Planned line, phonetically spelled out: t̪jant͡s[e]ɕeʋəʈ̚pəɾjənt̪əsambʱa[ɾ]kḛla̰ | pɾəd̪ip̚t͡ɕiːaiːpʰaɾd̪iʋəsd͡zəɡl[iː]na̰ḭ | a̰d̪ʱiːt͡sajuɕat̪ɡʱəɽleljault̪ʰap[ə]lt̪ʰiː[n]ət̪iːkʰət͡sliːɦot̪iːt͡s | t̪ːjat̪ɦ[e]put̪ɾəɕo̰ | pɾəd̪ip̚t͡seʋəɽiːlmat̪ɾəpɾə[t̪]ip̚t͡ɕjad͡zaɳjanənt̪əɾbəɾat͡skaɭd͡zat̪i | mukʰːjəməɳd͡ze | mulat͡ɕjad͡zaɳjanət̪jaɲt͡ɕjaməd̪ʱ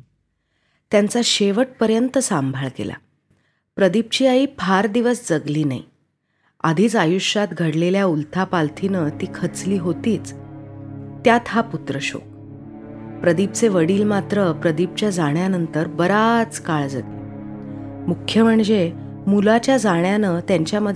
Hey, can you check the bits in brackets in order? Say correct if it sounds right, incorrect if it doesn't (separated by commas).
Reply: incorrect, incorrect, correct, incorrect, correct, incorrect, incorrect